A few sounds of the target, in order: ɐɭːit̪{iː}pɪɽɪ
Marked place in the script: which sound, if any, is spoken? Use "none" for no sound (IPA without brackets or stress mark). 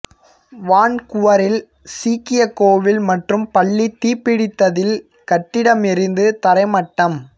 iː